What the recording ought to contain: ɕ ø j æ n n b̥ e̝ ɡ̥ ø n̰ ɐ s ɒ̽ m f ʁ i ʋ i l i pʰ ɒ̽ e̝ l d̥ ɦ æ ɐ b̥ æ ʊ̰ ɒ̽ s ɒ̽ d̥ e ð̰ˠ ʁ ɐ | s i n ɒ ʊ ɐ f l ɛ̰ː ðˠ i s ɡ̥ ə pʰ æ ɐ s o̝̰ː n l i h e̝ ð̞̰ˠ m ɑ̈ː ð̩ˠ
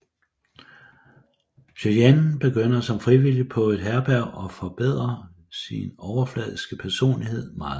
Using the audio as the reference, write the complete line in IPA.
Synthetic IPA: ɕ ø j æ n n b̥ e̝ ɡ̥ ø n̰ ɐ s ɒ̽ m f ʁ i ʋ i l i pʰ ɒ̽ e̝ d̥ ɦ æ ɐ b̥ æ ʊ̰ ɒ̽ f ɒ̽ b̥ e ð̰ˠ ʁ ɐ | s i n ɒ ʊ ɐ f l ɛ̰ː ðˠ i s ɡ̥ ə pʰ æ ɐ s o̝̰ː n l i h e̝ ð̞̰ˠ m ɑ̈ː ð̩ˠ